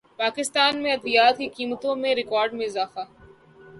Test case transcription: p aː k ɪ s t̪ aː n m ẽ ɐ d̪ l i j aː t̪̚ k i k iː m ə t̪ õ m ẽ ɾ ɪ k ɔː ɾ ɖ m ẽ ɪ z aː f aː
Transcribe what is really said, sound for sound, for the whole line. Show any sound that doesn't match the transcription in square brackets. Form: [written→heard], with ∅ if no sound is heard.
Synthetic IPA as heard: p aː k ɪ s t̪ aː n m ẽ ɐ d̪ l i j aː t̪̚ k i k iː m ə t̪ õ m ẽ ɾ ɪ k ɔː ɾ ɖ m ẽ ɪ z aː f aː